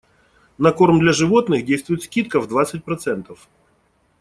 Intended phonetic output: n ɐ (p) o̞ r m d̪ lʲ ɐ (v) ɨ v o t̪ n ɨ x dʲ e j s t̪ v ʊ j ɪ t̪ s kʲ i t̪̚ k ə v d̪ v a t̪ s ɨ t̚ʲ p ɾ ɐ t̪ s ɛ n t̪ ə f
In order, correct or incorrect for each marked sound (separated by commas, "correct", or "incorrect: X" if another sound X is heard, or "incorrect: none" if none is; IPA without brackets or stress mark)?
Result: incorrect: k, incorrect: ʐ